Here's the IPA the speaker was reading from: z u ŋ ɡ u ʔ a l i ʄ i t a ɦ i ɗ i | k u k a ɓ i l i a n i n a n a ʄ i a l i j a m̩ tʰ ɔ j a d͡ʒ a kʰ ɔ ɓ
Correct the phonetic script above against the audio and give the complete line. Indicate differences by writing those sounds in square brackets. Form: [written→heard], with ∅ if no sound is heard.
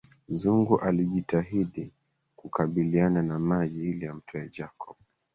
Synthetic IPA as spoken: z u ŋ ɡ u ʔ a l i ʄ i t a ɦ i ɗ i | k u k a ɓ i l i a n [i→a] n a [n→m] a ʄ i [a→i] l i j a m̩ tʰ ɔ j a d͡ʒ a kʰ ɔ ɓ